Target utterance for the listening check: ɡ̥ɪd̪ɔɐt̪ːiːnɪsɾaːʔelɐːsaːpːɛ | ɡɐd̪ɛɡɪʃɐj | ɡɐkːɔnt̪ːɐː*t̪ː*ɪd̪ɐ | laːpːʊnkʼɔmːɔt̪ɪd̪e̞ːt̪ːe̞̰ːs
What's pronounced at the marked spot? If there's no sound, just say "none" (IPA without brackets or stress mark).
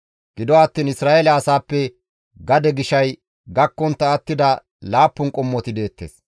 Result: t̪ː